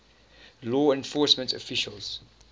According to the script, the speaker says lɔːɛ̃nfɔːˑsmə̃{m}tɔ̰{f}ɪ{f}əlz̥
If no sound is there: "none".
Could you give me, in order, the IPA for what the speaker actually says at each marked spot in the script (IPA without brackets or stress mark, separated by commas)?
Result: n, f, ʃ